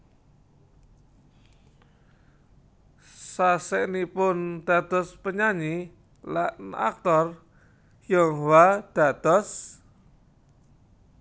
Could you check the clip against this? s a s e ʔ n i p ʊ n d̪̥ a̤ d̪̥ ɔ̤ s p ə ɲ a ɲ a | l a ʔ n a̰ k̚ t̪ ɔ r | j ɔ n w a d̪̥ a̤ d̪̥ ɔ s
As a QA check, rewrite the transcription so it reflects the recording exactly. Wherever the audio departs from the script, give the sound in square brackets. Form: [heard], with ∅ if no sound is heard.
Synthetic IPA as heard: s a s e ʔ n i p ʊ n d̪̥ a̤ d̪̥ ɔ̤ s p ə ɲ a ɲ [i] | l a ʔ n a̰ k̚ t̪ ɔ r | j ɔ [ŋ] w a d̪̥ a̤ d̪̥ ɔ s